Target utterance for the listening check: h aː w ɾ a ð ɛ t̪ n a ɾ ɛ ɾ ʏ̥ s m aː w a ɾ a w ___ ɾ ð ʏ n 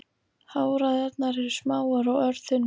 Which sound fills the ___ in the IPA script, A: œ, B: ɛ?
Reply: A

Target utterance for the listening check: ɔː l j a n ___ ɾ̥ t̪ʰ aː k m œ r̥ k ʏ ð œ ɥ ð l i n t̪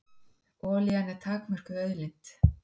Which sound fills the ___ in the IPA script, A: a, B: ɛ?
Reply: B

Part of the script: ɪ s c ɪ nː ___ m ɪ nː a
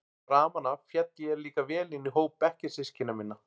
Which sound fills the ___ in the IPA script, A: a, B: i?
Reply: A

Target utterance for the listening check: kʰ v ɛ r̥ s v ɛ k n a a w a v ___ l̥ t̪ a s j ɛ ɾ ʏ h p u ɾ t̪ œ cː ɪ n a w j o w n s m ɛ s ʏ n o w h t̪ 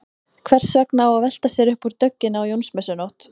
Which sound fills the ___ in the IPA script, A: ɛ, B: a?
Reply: A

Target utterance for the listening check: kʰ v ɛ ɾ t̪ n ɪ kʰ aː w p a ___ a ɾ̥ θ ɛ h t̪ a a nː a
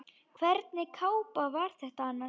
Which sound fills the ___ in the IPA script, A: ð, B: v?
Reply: B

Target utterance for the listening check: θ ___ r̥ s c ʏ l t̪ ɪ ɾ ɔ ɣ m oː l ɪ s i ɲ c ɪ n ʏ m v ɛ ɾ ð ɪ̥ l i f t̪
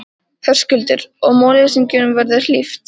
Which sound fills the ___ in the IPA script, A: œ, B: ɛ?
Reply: A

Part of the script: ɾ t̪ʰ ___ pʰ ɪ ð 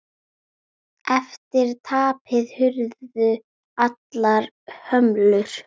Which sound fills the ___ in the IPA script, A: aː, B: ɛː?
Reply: A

